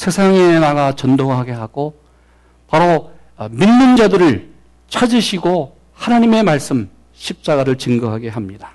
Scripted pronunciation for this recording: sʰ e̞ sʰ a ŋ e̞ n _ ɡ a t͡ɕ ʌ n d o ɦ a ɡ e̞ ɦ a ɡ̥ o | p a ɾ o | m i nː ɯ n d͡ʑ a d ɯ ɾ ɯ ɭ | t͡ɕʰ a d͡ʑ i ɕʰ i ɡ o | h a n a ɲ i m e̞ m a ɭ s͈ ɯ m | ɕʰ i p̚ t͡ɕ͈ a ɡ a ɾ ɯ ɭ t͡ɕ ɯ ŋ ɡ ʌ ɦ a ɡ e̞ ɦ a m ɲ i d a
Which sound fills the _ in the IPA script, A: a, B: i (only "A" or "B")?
A